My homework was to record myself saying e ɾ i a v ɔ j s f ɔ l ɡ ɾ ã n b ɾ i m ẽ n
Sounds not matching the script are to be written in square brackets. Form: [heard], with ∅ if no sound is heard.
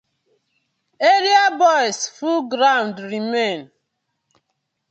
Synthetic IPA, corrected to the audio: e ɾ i a [b] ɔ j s f [u] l ɡ ɾ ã n [d] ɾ i m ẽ n